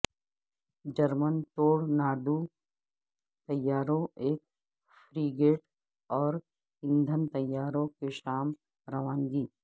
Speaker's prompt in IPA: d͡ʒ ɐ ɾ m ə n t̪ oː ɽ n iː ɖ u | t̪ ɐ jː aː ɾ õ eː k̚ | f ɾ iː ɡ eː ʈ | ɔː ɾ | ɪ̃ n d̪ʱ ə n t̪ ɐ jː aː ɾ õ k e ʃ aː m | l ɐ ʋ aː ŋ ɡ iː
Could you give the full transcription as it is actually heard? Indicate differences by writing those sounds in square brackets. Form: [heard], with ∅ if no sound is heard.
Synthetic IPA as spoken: d͡ʒ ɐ ɾ m ə n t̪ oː ɽ n [aː] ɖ u | t̪ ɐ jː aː ɾ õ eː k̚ | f ɾ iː ɡ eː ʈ | ɔː ɾ | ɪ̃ n d̪ʱ ə n t̪ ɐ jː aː ɾ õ k e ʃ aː m | [ɾ] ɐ ʋ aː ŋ ɡ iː